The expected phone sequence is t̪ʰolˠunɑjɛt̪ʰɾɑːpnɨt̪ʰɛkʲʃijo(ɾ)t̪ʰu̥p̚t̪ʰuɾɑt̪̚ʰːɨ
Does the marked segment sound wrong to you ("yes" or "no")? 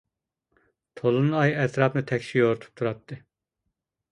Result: no